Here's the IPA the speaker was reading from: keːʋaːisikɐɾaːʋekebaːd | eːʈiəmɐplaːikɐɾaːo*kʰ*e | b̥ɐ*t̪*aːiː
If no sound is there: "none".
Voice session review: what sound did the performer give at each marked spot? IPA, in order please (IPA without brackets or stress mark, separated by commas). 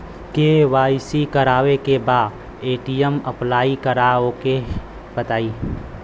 k, t̪